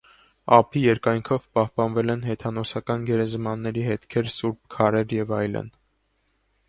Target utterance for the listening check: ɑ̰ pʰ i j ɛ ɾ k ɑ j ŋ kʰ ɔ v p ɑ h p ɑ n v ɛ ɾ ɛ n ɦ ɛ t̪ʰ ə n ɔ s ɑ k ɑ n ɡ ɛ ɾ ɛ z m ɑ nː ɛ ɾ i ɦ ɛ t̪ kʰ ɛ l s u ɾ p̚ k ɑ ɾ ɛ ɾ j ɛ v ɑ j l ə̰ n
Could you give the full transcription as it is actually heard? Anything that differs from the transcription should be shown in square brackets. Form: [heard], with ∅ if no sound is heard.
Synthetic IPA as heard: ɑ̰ pʰ i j ɛ ɾ k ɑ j ŋ kʰ ɔ v p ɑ h p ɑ n v ɛ [l] ɛ n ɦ ɛ t̪ʰ [ɑ] n ɔ s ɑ k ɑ n ɡ ɛ ɾ ɛ z m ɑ nː ɛ ɾ i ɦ ɛ t̪ kʰ ɛ [ɾ] s u ɾ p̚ [kʰ] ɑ ɾ ɛ ɾ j ɛ v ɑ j l ə̰ n